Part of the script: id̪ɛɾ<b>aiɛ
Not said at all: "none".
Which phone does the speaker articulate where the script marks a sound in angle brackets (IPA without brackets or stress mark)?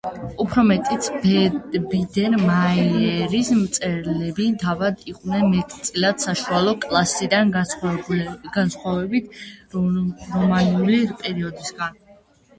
m